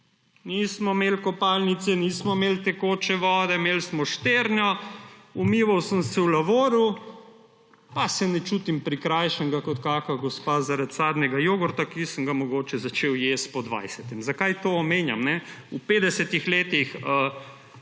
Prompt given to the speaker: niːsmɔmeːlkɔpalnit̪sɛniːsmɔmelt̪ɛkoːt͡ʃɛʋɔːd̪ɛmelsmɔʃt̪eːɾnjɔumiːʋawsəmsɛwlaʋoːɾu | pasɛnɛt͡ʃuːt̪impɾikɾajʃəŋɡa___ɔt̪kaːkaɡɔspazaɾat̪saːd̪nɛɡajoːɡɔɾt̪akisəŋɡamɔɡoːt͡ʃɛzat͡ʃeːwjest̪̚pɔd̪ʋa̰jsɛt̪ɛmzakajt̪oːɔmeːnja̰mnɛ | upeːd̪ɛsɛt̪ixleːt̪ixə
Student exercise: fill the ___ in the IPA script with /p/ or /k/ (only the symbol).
k